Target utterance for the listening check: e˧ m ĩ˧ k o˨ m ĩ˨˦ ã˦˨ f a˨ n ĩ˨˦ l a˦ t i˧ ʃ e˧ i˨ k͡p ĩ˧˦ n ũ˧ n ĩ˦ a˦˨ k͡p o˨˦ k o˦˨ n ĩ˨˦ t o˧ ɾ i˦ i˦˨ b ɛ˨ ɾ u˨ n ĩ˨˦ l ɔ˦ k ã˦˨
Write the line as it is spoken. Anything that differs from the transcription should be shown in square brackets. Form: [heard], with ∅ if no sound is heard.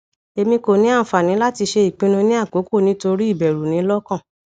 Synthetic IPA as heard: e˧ m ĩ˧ k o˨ [n] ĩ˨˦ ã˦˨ f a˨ n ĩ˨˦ l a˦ t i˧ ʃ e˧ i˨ k͡p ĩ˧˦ n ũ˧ n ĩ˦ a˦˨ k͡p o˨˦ k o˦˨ n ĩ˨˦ t o˧ ɾ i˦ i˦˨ b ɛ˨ ɾ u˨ n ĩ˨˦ l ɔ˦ k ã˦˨